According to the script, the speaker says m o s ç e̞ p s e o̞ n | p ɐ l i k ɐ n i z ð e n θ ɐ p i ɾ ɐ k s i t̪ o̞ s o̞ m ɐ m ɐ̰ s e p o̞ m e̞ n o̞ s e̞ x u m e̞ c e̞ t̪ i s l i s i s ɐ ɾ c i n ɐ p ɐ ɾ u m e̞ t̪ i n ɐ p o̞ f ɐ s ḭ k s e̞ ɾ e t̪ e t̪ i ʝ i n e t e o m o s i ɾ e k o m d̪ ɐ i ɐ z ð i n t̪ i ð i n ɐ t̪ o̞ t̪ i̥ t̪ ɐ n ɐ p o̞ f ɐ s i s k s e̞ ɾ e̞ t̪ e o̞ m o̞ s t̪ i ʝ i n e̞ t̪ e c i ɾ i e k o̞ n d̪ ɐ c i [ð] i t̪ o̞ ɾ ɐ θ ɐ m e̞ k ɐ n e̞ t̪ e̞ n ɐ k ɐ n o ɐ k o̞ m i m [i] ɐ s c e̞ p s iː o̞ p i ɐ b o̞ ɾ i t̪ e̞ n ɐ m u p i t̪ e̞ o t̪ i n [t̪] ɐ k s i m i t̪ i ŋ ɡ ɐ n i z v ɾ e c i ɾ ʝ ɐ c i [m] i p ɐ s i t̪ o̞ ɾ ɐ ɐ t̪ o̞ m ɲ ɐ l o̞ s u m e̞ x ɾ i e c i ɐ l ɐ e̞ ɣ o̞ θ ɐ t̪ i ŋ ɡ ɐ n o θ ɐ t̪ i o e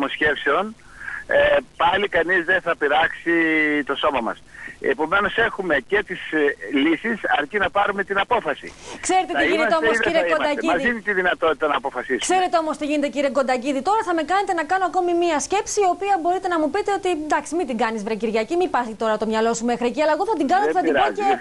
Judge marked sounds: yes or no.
yes, yes, no, yes

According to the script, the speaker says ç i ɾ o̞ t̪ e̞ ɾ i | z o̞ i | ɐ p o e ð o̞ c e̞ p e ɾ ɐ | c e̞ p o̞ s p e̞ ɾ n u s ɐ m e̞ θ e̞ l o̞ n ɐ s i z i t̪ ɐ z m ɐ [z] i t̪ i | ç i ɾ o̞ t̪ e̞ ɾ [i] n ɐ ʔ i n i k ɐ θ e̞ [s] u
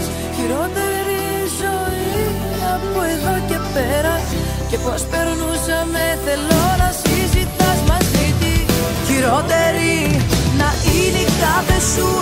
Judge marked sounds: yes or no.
yes, yes, yes

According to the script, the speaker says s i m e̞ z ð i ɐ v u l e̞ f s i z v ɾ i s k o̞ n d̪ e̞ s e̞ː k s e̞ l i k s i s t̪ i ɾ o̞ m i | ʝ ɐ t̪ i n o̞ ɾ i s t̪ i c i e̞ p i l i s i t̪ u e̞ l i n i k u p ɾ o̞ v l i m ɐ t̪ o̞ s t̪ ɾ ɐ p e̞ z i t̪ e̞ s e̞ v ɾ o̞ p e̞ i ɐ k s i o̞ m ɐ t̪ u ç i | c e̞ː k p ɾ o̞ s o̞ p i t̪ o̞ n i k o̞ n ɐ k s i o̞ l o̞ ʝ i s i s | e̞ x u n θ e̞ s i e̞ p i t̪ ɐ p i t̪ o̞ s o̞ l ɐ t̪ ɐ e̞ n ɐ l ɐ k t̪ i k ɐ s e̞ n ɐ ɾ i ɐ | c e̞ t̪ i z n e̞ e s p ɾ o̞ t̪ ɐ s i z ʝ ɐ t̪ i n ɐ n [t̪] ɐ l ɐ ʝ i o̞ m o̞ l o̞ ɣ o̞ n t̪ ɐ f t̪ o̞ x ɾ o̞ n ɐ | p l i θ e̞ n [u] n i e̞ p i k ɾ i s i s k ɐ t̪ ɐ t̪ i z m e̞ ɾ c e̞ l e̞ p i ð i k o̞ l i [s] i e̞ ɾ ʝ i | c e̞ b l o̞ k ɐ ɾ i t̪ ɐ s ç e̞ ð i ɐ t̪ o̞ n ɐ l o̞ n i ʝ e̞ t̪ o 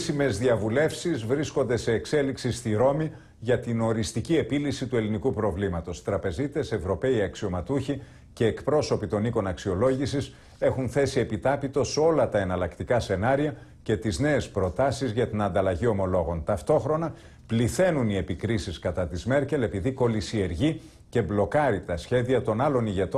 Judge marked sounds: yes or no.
no, yes, yes

